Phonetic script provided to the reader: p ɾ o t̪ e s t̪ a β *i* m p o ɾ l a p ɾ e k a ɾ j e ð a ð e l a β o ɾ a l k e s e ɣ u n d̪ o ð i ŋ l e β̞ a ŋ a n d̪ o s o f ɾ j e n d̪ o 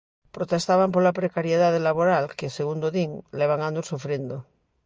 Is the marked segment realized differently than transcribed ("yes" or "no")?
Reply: yes